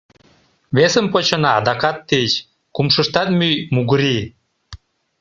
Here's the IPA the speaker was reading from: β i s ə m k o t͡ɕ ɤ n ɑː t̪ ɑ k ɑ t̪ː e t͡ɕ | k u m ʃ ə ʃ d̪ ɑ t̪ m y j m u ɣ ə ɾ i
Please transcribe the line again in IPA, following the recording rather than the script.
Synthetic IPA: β e s ə m p o t͡ɕ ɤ n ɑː d̪ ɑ k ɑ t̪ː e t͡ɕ | k u m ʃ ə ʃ t̪ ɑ t̪ m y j m u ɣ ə ɾ i